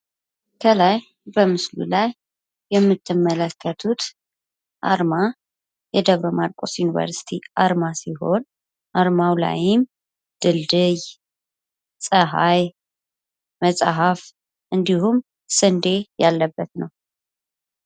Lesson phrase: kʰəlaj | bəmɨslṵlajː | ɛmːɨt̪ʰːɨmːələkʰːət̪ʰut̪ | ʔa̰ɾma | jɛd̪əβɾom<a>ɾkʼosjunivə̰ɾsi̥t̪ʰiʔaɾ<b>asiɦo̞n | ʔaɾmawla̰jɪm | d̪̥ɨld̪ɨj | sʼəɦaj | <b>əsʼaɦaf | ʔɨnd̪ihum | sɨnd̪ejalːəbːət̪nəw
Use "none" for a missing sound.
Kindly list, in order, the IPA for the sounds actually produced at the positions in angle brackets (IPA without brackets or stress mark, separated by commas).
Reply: a, m, m